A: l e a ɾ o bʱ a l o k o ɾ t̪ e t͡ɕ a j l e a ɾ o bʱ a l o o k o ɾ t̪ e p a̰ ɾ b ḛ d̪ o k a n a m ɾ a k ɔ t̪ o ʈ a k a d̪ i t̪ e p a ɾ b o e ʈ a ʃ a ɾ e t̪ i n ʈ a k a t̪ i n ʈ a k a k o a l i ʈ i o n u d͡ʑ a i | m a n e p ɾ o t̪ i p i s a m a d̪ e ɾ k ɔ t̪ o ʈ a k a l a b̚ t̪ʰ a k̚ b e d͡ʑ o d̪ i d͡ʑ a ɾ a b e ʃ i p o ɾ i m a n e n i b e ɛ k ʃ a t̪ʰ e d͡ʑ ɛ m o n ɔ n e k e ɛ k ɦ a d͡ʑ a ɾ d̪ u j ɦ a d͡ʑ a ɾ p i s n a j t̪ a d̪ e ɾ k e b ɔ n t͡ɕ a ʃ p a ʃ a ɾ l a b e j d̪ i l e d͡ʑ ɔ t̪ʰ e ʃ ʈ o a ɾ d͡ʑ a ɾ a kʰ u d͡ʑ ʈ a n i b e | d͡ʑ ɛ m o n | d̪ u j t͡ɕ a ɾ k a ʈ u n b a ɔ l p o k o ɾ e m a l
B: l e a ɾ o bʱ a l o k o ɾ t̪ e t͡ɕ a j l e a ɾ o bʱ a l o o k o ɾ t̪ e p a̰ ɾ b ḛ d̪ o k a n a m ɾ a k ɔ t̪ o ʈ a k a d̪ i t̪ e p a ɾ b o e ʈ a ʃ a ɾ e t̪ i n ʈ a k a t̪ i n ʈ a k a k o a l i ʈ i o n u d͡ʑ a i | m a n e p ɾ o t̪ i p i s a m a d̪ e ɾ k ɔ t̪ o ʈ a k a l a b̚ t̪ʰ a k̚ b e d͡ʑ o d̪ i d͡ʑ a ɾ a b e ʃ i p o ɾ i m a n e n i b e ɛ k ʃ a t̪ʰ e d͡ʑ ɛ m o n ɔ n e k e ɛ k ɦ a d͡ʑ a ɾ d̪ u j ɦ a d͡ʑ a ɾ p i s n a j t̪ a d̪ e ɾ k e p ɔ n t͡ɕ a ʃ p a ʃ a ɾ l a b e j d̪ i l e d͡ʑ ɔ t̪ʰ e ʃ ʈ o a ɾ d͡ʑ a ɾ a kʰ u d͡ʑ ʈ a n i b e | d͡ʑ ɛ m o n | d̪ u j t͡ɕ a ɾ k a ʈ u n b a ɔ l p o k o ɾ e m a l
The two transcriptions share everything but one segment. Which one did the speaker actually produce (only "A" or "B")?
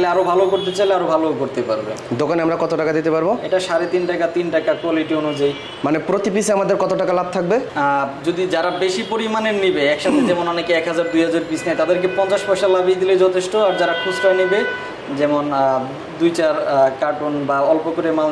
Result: B